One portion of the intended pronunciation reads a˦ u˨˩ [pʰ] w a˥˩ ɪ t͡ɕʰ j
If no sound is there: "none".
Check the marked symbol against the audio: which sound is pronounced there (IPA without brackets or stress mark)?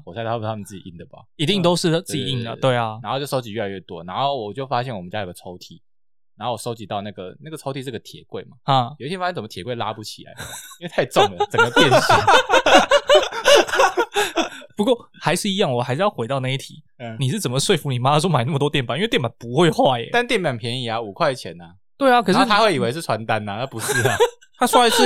kʰ